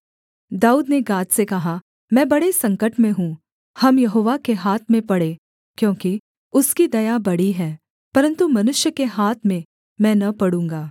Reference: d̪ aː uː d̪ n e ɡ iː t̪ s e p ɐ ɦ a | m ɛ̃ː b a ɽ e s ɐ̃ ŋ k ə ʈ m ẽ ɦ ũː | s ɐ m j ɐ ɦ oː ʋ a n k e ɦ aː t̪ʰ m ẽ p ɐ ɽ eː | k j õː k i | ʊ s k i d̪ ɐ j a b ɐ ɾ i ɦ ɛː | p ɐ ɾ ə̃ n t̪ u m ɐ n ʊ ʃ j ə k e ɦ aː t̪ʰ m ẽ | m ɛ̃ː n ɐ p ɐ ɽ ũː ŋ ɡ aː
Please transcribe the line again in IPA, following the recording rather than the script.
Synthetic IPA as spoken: d̪ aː uː d̪ n e ɡ aː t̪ s e k ɐ ɦ a | m ɛ̃ː b ɐ ɽ e s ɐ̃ ŋ k ə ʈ m ẽ ɦ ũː | h ɐ m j ɐ ɦ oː ʋ a k e ɦ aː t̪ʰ m ẽ p ɐ ɽ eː | k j õː k i | ʊ s k i d̪ ɐ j a b ɐ ɽ i ɦ ɛː | p ɐ ɾ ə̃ n t̪ u m ɐ n ʊ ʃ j ə k e ɦ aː t̪ʰ m ẽ | m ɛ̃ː n ɐ p ɐ ɽ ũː ŋ ɡ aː